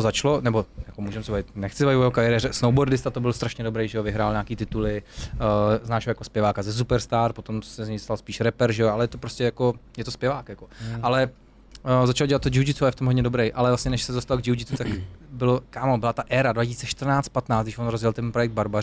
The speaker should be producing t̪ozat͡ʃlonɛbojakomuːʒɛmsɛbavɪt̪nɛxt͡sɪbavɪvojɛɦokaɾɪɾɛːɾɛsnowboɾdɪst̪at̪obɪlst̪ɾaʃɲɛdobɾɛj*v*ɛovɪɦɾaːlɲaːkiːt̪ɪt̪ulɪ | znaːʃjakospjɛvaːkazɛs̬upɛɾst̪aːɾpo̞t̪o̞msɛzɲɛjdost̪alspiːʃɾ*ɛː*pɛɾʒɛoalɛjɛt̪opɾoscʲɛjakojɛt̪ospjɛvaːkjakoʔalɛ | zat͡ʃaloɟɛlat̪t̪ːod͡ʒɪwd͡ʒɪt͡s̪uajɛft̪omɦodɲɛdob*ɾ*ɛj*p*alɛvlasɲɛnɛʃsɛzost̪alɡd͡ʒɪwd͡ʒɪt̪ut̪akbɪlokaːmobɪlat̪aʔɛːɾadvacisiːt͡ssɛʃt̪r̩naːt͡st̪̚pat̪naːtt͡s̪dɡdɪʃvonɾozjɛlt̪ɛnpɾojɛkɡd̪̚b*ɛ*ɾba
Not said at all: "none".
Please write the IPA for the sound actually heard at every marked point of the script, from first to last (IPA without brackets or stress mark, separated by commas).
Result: ʒ, ɛ, ɾ, ʔ, a